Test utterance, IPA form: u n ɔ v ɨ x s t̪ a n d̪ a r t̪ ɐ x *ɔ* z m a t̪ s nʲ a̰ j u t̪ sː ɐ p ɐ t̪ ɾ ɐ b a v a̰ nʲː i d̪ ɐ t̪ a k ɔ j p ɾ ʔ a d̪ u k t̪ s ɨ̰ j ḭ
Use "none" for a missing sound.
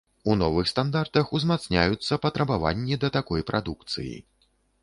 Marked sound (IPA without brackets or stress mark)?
u